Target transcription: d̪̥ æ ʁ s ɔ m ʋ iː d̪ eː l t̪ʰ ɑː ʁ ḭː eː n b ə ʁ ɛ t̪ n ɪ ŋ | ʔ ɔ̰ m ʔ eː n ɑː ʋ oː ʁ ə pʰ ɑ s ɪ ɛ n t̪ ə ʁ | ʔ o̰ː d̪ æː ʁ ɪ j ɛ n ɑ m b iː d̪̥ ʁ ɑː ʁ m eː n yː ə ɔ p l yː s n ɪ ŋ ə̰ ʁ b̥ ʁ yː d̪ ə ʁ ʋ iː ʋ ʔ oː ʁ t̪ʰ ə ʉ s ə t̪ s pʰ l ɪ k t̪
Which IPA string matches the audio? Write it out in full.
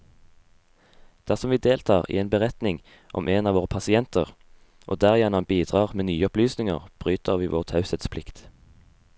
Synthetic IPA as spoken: d̪̥ æ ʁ s ɔ m ʋ iː d̪ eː l t̪ʰ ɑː ʁ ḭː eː n b ə ʁ ɛ t̪ n ɪ ŋ | ʔ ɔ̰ m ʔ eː n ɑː ʋ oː ʁ ə pʰ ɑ s ɪ ɛ n t̪ ə ʁ | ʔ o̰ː d̪ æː ʁ ɪ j ɛ n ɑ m b iː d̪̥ ʁ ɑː ʁ m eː n yː ə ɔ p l yː s n ɪ ŋ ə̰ ʁ b̥ ʁ yː t̪ ə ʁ ʋ iː ʋ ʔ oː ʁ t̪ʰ ɑ ʉ s ə t̪ s pʰ l ɪ k t̪